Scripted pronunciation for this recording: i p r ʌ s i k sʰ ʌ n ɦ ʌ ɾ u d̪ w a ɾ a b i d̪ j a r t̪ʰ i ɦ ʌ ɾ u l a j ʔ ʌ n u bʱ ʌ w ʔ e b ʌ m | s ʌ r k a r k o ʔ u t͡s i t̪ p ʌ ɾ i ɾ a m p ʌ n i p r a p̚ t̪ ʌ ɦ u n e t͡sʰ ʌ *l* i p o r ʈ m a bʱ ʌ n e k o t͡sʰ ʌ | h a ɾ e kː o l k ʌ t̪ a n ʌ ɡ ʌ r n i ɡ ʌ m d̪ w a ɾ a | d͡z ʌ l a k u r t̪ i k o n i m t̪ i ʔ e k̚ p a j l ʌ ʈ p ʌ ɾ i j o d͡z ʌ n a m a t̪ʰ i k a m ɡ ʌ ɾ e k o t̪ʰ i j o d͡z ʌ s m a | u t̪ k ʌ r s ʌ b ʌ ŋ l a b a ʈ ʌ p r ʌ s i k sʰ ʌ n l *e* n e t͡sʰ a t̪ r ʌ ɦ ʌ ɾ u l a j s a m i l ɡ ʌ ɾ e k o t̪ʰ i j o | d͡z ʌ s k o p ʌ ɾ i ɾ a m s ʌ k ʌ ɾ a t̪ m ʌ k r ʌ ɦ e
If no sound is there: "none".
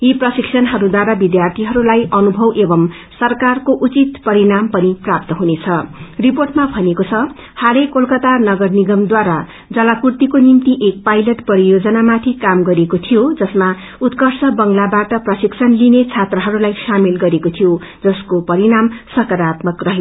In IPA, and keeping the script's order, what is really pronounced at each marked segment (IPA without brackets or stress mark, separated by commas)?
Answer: r, i